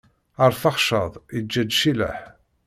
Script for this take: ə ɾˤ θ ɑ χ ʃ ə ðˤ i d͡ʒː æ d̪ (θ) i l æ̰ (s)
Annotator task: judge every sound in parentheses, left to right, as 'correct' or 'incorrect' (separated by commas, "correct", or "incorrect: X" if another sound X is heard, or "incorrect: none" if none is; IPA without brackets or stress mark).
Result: incorrect: ʃ, incorrect: ħ